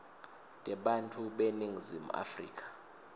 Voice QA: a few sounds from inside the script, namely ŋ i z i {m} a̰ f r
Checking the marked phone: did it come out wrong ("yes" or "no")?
no